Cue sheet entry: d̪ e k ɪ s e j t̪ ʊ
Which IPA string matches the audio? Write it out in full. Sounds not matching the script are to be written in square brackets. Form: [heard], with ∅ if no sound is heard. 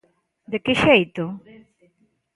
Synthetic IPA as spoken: d̪ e k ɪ [ʃ] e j t̪ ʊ